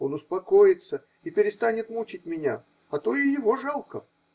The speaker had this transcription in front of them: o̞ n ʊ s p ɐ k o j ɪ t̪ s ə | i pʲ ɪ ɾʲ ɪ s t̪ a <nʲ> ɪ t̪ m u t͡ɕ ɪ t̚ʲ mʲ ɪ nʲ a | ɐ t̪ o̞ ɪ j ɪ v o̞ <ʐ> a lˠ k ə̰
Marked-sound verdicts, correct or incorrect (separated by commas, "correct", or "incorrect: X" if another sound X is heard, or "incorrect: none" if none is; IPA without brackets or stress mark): correct, correct